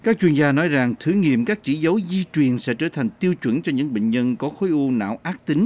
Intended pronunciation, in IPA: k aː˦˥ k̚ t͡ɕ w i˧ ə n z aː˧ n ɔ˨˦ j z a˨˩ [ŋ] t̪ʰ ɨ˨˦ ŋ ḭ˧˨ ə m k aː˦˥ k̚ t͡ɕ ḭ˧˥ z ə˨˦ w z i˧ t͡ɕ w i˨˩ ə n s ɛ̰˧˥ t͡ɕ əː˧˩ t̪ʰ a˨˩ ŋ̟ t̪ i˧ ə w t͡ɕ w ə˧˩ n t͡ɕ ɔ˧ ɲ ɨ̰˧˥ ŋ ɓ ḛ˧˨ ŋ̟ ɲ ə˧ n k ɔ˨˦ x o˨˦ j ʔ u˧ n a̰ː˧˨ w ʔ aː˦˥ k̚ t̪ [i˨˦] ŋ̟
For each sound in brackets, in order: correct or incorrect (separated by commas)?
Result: correct, correct